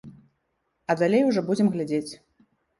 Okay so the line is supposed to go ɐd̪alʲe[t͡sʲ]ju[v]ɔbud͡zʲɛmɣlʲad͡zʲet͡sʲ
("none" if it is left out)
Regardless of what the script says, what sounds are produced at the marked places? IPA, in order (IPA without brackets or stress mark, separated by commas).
none, ʐ